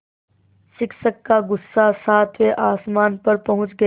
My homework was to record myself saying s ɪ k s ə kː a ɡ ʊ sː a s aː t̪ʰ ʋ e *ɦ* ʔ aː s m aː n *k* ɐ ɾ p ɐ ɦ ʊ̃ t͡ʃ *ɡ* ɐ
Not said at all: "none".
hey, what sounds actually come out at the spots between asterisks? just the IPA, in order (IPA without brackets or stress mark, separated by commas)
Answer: none, p, ɡ